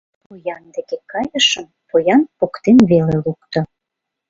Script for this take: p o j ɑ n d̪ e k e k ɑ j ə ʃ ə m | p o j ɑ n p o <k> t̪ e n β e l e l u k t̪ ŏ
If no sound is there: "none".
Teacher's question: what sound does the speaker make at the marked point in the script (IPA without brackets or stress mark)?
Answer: k